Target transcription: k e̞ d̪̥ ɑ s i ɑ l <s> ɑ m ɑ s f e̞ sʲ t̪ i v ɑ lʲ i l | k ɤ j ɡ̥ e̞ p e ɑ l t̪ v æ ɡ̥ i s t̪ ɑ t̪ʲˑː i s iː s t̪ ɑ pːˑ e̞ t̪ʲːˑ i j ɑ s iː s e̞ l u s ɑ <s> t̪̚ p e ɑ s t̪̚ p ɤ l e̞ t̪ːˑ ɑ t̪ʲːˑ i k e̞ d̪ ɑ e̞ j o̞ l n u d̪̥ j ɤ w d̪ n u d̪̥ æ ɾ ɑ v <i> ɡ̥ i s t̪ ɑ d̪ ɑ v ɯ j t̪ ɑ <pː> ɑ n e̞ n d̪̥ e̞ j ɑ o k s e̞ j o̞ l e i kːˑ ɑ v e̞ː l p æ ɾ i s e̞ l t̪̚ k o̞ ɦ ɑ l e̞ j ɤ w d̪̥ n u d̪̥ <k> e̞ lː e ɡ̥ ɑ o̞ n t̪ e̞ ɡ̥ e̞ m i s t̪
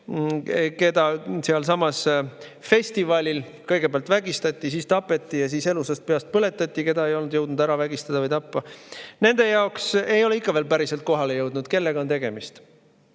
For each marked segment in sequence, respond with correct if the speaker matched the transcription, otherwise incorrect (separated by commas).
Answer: correct, correct, incorrect, correct, correct